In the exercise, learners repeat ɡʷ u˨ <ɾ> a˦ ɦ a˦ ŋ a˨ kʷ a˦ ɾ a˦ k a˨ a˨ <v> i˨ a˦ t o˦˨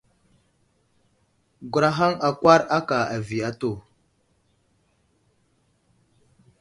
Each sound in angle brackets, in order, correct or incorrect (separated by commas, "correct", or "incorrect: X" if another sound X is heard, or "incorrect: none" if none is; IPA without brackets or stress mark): correct, correct